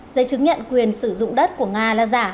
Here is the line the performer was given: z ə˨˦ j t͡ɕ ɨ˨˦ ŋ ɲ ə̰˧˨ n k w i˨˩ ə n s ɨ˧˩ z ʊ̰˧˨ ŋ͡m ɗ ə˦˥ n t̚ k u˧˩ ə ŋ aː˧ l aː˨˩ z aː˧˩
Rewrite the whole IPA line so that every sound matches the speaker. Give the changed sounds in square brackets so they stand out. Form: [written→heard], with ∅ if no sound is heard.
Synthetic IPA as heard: z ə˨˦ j t͡ɕ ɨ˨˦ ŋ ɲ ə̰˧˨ n k w i˨˩ ə n s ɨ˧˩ z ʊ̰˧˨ ŋ͡m ɗ ə˦˥ [n→∅] t̚ k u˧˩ ə ŋ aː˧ l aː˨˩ z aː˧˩

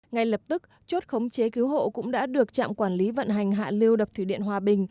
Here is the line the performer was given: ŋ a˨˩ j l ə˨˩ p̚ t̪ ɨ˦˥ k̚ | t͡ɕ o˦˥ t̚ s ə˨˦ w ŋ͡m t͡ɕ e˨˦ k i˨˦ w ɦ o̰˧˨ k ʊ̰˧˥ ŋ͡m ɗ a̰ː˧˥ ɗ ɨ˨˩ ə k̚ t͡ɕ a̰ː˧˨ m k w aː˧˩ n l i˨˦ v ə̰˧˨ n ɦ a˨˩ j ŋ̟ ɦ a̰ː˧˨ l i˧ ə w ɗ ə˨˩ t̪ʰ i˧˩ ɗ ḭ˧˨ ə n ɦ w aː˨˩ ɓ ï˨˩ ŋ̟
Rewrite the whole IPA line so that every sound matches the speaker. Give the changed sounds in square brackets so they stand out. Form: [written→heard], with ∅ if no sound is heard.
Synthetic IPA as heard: ŋ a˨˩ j l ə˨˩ p̚ t̪ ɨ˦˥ k̚ | t͡ɕ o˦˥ t̚ [s→x] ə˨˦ w ŋ͡m t͡ɕ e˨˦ k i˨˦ w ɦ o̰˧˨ k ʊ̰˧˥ ŋ͡m ɗ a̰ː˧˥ ɗ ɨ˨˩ ə k̚ t͡ɕ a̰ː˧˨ m k w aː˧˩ n l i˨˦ v ə̰˧˨ n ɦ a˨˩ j ŋ̟ ɦ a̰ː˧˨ l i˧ ə w ɗ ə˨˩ t̪ʰ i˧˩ ɗ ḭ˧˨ ə n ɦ w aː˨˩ ɓ ï˨˩ ŋ̟

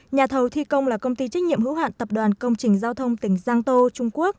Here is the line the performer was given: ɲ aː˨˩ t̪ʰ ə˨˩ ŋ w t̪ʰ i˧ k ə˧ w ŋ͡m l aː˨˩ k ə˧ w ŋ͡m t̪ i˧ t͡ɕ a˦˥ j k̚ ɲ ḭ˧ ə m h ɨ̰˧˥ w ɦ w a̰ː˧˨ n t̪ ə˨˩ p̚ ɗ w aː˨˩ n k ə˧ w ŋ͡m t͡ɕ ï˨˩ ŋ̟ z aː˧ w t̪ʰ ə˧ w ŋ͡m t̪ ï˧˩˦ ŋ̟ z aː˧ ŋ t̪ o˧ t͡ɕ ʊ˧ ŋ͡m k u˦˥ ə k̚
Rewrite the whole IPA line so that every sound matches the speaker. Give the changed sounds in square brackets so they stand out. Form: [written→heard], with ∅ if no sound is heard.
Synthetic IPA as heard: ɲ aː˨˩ t̪ʰ ə˨˩ [ŋ→∅] w t̪ʰ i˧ k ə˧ w ŋ͡m l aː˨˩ k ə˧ w ŋ͡m t̪ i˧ t͡ɕ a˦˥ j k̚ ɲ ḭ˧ ə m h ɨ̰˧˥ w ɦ w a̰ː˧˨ n t̪ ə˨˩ p̚ ɗ w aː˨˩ n k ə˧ w ŋ͡m t͡ɕ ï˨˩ ŋ̟ z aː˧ w t̪ʰ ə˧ w ŋ͡m t̪ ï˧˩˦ ŋ̟ z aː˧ ŋ t̪ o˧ t͡ɕ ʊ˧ ŋ͡m k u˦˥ ə k̚

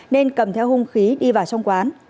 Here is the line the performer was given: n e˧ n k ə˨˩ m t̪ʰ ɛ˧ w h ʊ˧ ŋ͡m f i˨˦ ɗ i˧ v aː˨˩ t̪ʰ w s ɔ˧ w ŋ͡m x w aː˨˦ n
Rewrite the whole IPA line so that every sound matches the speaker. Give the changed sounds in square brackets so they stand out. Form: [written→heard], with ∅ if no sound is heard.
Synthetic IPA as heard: n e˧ n k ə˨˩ m t̪ʰ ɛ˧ w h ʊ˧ ŋ͡m [f→x] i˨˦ ɗ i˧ v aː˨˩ [t̪ʰ→∅] w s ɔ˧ w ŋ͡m [x→k] w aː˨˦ n

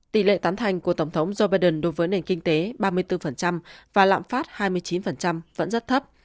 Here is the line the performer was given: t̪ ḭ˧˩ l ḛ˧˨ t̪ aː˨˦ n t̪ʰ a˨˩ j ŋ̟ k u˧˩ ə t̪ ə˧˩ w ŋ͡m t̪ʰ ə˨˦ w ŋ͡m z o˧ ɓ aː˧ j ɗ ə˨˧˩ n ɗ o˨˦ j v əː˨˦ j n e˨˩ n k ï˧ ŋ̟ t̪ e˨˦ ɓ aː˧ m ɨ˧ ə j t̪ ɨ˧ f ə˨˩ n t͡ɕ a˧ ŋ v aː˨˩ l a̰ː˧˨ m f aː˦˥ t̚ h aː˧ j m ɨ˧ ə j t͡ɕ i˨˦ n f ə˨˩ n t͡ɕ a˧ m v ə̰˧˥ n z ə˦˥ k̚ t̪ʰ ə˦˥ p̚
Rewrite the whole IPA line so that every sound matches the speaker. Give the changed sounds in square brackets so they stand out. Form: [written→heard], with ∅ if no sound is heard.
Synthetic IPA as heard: t̪ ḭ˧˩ l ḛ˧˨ t̪ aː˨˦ n t̪ʰ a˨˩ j ŋ̟ k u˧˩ ə t̪ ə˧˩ w ŋ͡m t̪ʰ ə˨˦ w ŋ͡m z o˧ ɓ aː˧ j ɗ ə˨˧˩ n ɗ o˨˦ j v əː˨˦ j n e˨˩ n k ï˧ ŋ̟ t̪ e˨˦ ɓ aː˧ m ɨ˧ ə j t̪ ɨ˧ f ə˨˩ n t͡ɕ a˧ [ŋ→m] v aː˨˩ l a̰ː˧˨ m f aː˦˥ t̚ h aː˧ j m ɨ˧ ə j t͡ɕ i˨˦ n f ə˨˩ n t͡ɕ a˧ m v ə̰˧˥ n z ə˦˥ [k̚→t̚] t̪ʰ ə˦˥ p̚

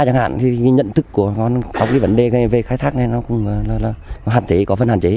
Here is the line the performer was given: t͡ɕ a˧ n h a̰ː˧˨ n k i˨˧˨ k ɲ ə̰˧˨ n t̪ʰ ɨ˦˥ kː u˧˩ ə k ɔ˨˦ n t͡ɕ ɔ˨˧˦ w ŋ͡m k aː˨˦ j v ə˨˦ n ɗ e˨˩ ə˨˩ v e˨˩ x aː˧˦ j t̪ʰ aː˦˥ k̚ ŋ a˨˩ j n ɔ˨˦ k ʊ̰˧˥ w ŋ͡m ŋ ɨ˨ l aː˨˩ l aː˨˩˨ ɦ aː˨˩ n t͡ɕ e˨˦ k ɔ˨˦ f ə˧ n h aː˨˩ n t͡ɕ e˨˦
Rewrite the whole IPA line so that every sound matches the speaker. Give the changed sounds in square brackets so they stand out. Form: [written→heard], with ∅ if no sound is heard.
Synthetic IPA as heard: t͡ɕ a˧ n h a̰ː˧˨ n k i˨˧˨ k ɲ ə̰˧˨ n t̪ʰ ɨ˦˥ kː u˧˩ ə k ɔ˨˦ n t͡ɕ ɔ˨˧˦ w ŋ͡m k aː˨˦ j v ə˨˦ n ɗ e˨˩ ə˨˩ v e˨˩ x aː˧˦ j t̪ʰ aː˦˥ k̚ [ŋ→n] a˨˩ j n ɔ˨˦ k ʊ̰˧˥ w ŋ͡m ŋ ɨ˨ l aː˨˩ l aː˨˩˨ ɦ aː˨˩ n t͡ɕ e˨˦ k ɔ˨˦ f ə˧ n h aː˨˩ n t͡ɕ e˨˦

